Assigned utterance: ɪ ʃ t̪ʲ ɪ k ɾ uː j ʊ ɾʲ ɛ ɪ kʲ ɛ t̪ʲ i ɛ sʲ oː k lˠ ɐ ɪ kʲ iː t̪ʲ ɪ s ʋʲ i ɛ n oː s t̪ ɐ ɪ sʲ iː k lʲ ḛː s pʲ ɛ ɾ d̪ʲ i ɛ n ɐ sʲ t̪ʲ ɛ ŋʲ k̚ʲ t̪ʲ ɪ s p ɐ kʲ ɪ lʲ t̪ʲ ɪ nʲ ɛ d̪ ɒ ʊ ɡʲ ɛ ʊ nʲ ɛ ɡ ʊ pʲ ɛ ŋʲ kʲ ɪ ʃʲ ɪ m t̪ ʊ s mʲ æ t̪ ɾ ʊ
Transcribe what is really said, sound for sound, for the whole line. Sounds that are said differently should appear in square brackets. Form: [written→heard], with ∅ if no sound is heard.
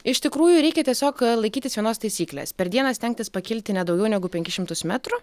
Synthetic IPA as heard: ɪ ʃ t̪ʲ ɪ k ɾ uː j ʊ ɾʲ ɛ ɪ kʲ ɛ t̪ʲ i ɛ sʲ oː k lˠ ɐ ɪ kʲ iː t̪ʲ ɪ s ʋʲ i ɛ n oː s t̪ ɐ ɪ sʲ iː k lʲ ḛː s pʲ ɛ ɾ d̪ʲ i ɛ n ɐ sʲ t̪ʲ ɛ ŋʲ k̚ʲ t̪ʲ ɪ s p ɐ kʲ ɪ lʲ t̪ʲ ɪ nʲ ɛ d̪ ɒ ʊ ɡʲ ɛ ʊ nʲ ɛ ɡ ʊ pʲ ɛ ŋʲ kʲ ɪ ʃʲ ɪ m t̪ ʊ s mʲ æ t̪ ɾ ʊ